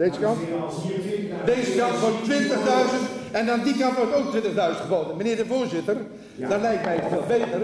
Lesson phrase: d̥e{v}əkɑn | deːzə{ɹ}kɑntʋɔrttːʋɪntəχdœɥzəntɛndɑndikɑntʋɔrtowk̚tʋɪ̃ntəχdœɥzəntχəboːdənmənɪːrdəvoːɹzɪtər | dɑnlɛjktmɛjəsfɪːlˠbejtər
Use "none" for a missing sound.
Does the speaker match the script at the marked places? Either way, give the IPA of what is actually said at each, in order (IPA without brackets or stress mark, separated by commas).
z, none